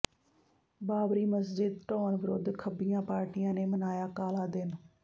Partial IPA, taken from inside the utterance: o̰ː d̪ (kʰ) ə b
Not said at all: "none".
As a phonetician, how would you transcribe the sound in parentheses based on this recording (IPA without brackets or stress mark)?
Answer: kʰ